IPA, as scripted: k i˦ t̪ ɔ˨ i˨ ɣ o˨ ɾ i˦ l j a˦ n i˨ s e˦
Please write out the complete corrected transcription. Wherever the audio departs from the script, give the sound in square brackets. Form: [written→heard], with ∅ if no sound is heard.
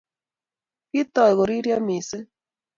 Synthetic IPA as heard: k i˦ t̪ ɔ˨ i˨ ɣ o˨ ɾ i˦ [l→ɾ] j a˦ [n→m] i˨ s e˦